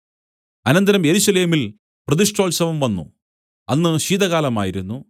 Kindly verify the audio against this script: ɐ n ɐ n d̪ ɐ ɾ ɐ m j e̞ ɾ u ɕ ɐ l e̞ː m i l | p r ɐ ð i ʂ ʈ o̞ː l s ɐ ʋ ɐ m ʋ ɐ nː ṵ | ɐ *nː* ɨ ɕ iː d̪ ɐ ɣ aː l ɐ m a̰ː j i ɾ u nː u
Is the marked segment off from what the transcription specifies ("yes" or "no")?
no